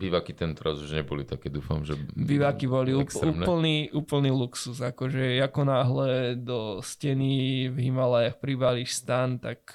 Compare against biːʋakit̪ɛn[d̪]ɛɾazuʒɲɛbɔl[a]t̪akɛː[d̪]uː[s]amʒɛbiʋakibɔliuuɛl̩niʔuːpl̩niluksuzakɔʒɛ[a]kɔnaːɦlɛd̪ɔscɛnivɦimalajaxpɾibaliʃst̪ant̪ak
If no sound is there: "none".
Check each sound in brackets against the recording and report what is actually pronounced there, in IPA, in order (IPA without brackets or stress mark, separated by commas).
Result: t̪, i, d̪, f, a